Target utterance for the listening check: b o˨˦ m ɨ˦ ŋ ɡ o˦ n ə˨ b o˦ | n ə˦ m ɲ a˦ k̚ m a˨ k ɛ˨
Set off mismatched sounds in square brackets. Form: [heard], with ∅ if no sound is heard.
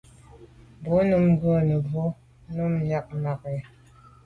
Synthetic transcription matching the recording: b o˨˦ [n] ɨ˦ [m] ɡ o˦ n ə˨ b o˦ | n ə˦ m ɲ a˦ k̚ m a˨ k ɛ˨